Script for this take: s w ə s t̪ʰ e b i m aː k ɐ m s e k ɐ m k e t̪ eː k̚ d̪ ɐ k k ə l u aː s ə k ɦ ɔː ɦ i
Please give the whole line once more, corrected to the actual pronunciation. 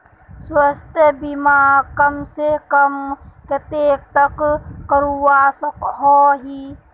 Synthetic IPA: s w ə s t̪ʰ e b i m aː k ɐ m s e k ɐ m k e t̪ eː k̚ t̪ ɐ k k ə ɾ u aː s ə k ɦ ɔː ɦ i